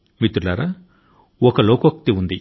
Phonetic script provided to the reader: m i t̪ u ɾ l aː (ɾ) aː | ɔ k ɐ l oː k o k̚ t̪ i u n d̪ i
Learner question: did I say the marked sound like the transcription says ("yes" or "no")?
yes